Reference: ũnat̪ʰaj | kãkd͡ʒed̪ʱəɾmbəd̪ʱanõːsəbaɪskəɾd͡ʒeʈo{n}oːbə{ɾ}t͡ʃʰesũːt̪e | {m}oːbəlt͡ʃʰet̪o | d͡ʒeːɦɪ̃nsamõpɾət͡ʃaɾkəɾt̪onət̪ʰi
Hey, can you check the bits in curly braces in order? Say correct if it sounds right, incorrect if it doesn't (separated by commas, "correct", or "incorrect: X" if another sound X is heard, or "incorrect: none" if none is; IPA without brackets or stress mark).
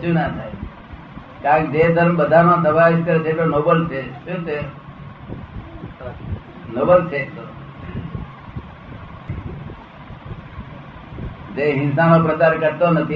correct, incorrect: l, incorrect: n